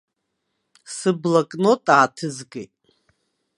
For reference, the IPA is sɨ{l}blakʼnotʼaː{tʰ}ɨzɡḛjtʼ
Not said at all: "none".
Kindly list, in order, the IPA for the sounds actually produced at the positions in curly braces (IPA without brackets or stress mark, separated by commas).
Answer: none, tʰ